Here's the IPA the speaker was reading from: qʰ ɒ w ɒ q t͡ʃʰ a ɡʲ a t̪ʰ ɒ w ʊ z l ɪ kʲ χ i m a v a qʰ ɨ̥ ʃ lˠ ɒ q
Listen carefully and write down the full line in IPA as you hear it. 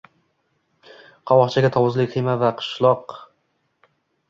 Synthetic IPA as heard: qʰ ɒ w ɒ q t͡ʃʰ a ɡʲ a t̪ʰ ɒ w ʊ z l ɪ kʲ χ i m a v a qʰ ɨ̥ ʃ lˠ ɒ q